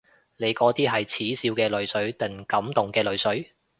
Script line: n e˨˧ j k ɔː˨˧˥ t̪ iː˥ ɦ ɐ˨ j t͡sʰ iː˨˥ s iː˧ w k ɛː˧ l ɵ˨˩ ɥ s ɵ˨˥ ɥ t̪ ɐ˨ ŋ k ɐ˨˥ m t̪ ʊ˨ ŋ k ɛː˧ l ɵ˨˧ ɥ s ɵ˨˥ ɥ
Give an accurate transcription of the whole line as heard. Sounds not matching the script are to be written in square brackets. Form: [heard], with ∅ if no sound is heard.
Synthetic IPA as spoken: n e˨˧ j k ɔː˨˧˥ t̪ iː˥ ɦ ɐ˨ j t͡sʰ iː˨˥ s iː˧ w k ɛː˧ l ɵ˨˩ ɥ s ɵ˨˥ ɥ t̪ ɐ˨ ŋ k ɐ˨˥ m t̪ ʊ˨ ŋ k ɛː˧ l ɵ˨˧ ɥ s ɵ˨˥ ɥ